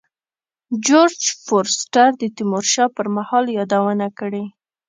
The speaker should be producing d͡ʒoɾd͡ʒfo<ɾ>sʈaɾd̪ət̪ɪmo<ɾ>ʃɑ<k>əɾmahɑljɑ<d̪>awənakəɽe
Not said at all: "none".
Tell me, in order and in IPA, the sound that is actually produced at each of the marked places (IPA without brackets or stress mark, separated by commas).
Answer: ɾ, ɾ, p, d̪